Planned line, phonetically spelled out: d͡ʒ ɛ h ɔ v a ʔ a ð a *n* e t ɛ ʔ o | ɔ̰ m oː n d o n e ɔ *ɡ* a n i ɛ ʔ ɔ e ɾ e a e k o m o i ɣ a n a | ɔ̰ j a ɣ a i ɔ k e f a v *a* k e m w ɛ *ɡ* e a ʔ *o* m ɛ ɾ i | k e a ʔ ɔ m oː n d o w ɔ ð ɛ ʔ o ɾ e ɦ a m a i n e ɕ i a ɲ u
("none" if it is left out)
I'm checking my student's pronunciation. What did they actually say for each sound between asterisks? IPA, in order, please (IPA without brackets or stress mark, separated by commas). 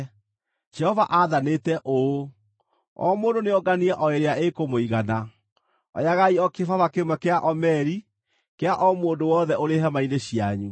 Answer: n, ɡ, a, k, ɔ